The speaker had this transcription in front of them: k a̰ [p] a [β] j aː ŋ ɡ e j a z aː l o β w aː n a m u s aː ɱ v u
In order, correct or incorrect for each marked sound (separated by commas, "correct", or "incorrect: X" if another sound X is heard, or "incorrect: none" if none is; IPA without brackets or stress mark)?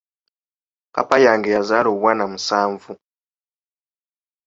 correct, incorrect: none